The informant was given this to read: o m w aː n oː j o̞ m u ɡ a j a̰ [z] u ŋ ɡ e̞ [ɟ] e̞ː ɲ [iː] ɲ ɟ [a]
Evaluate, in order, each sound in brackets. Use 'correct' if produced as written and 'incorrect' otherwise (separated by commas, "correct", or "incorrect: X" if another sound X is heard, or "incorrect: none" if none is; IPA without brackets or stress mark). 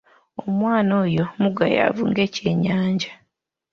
incorrect: v, incorrect: c, incorrect: aː, correct